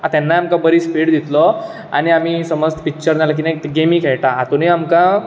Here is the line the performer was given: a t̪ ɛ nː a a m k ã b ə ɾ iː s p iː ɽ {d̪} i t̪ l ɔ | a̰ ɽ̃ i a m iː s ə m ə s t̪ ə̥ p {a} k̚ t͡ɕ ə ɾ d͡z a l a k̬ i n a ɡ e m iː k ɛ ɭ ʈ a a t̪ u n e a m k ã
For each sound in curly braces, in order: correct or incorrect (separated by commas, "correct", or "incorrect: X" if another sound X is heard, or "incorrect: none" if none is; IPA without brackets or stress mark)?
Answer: correct, incorrect: i